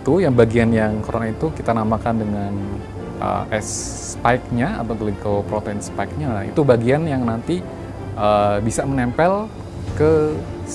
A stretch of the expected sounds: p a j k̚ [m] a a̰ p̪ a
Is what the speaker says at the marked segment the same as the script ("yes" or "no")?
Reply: no